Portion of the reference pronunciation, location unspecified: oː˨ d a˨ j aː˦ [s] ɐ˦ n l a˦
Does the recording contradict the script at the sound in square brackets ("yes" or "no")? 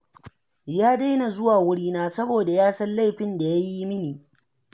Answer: no